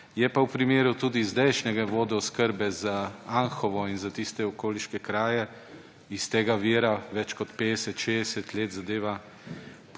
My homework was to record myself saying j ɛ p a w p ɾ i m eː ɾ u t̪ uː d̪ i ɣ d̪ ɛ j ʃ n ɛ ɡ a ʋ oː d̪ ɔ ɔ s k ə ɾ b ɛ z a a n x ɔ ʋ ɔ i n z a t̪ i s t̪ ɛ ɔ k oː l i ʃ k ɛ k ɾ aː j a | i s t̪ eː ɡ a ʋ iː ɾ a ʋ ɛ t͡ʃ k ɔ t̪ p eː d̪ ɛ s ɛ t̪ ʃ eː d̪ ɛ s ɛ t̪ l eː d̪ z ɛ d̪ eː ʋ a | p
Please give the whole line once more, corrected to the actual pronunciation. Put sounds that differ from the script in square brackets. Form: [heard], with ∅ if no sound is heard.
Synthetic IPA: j ɛ p a w p ɾ i m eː ɾ u t̪ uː d̪ i [z] d̪ ɛ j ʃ n ɛ ɡ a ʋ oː d̪ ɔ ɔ s k ə ɾ b ɛ z a a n x ɔ ʋ ɔ i n z a t̪ i s t̪ ɛ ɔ k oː l i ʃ k ɛ k ɾ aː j [ɛ] | i s t̪ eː ɡ a ʋ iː ɾ a ʋ ɛ t͡ʃ k ɔ t̪ p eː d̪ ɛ s ɛ t̪ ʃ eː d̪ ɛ s ɛ t̪ l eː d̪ z [a] d̪ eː ʋ a | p

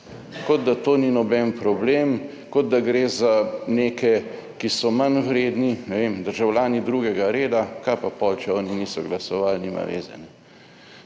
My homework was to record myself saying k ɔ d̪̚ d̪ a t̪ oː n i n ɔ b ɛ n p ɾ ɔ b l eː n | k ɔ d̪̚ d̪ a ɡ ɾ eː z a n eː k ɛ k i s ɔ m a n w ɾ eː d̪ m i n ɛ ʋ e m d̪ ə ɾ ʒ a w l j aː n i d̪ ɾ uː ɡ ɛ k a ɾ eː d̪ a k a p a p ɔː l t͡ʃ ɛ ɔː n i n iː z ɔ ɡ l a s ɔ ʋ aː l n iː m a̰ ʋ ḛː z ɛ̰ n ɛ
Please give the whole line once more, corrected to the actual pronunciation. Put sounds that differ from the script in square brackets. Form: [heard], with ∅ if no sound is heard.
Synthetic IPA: k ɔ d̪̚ d̪ a t̪ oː n i n ɔ b ɛ n p ɾ ɔ b l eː [m] | k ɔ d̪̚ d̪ a ɡ ɾ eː z a n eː k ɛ k i s ɔ m a n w ɾ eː d̪ [n] i n ɛ ʋ e m d̪ ə ɾ ʒ a w l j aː n i d̪ ɾ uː ɡ ɛ [ɡ] a ɾ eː d̪ a k a p a p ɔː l t͡ʃ ɛ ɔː n i n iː [s] ɔ ɡ l a s ɔ ʋ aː l n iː m a̰ ʋ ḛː z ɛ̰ n ɛ

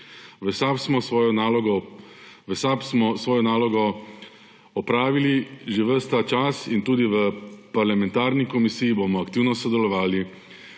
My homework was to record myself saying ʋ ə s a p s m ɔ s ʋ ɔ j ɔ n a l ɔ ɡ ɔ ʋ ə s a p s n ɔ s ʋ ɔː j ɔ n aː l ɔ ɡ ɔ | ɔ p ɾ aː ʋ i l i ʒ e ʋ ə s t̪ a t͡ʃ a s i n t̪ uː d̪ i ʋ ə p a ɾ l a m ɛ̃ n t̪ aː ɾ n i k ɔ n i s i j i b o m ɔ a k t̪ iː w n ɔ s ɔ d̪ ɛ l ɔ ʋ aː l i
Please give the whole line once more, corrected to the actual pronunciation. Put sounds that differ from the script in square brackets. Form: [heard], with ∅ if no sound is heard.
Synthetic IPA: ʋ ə s a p s m ɔ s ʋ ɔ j ɔ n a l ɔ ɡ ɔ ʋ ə s a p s [m] ɔ s ʋ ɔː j ɔ n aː l ɔ ɡ ɔ | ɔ p ɾ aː ʋ i l i ʒ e ʋ ə s t̪ a t͡ʃ a s i n t̪ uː d̪ i ʋ ə p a ɾ l a m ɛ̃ n t̪ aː ɾ n i k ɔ [m] i s i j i b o m ɔ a k t̪ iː w n ɔ s ɔ d̪ ɛ l ɔ ʋ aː l i

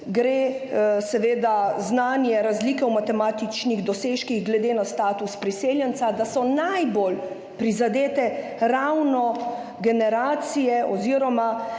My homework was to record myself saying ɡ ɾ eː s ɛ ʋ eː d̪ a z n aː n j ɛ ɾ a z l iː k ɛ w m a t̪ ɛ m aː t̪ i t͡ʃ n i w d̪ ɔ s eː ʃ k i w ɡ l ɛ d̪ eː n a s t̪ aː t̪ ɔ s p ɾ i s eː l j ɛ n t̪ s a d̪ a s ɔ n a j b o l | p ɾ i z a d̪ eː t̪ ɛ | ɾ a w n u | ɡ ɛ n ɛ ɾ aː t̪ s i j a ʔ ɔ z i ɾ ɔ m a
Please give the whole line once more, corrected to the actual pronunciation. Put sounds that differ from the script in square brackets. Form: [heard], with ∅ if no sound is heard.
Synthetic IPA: ɡ ɾ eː s ɛ ʋ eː d̪ a z n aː n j ɛ ɾ a z l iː k ɛ w m a t̪ ɛ m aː t̪ i t͡ʃ n i [ɣ] d̪ ɔ s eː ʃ k i [ɣ] ɡ l ɛ d̪ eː n a s t̪ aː t̪ [u] s p ɾ i s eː l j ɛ n t̪ s a d̪ a s ɔ n a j b o l | p ɾ i z a d̪ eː t̪ ɛ | ɾ a w n [ɔ] | ɡ ɛ n ɛ ɾ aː t̪ s i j [ɛ] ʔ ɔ z i ɾ ɔ m a

